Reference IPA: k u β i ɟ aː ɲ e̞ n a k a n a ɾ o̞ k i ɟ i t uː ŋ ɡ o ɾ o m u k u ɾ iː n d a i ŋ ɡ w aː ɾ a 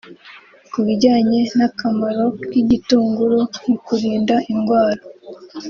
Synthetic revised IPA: k u β i ɟ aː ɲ e̞ n a k a m a ɾ o̞ k i ɟ i t uː ŋ ɡ u ɾ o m u k u ɾ iː n d a i ŋ ɡ w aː ɾ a